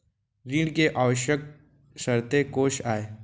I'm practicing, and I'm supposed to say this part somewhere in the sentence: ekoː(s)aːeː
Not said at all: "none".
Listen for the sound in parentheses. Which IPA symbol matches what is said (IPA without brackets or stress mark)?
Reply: ʃ